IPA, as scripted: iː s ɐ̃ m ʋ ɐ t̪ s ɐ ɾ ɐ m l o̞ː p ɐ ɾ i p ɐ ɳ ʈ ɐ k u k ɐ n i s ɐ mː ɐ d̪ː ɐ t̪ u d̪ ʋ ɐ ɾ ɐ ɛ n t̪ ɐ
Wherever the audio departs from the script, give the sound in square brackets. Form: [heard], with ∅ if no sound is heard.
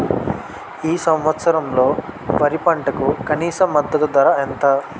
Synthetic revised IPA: iː s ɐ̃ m ʋ ɐ t̪ s ɐ ɾ ɐ m l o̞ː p ɐ ɾ i p ɐ ɳ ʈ ɐ k u k ɐ n [iː] s ɐ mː ɐ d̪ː ɐ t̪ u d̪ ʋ ɐ ɾ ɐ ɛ n t̪ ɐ